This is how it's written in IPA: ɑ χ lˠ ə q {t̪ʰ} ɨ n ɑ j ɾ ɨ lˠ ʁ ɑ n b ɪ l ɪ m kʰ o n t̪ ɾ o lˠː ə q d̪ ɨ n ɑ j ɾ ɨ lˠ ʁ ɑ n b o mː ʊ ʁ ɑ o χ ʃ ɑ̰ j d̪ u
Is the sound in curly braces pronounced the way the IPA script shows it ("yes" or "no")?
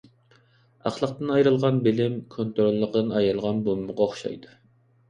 no